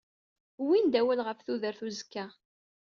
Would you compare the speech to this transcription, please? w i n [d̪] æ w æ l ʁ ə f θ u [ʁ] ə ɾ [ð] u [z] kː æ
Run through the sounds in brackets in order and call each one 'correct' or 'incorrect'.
correct, incorrect: ð, incorrect: θ, correct

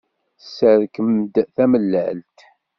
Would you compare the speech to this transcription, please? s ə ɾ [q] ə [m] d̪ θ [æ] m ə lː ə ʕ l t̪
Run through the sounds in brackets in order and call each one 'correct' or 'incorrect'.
incorrect: k, correct, correct

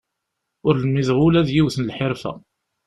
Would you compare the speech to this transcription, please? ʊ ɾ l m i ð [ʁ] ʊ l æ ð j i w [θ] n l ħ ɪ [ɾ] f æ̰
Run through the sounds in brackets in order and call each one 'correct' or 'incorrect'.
correct, correct, correct

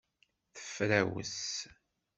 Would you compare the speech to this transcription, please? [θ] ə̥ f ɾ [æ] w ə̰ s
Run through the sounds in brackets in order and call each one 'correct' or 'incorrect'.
correct, correct

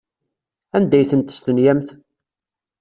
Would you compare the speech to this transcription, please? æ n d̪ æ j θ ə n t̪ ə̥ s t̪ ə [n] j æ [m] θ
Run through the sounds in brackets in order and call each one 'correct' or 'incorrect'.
correct, correct

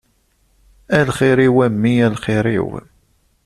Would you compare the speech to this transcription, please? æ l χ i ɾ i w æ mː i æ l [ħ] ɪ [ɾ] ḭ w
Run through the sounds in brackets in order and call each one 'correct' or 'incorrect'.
incorrect: χ, correct

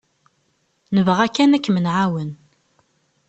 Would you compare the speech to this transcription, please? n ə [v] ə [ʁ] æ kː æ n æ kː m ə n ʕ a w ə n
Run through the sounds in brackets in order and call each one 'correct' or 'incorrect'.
correct, correct

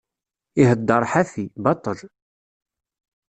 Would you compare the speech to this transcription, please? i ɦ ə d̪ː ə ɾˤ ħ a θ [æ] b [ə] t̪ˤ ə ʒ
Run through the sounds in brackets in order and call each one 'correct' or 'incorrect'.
incorrect: i, incorrect: ɑ

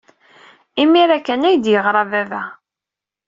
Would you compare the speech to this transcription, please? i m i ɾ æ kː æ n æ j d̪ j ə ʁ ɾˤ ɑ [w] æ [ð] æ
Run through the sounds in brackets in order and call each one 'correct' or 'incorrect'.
incorrect: v, incorrect: v

